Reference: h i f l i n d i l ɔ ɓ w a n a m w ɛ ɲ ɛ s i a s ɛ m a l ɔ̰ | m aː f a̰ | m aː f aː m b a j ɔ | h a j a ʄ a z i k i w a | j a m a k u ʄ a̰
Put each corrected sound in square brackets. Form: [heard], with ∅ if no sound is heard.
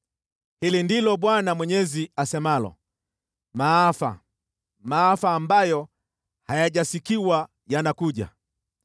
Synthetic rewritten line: h i [∅] l i n d i l ɔ ɓ w a n a m w ɛ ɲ ɛ [z] i a s ɛ m a l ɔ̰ | m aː f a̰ | m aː f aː m b a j ɔ | h a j a ʄ a [s] i k i w a | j a [n] a k u ʄ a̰